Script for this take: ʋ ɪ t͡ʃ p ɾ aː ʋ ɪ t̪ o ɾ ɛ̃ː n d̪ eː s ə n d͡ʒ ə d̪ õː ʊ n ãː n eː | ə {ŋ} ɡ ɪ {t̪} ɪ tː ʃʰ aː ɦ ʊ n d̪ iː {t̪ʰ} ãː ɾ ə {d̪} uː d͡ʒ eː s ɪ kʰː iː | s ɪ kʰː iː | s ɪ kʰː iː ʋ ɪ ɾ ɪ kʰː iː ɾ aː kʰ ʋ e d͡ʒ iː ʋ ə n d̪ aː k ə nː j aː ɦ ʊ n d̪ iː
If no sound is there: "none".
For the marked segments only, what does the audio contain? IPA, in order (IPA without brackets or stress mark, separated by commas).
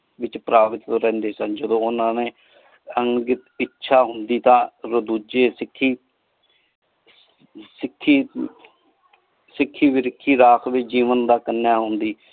ŋ, t̪, t̪, d̪